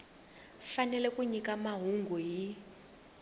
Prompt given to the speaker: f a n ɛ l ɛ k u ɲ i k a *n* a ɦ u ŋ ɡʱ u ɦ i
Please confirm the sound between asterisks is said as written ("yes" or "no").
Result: no